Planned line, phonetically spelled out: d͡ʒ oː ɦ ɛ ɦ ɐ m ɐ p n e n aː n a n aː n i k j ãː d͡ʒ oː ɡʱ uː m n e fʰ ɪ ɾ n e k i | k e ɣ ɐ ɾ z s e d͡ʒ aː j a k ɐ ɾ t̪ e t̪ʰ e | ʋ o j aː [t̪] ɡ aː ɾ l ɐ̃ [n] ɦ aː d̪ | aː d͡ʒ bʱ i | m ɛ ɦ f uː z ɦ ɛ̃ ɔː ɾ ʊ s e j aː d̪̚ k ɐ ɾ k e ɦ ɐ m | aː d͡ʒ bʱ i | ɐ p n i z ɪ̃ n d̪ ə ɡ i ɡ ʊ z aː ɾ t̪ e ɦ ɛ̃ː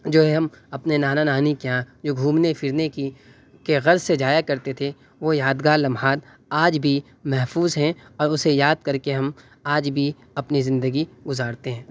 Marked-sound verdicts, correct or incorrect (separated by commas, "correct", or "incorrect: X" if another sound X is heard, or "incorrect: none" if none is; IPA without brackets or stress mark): incorrect: d̪, incorrect: m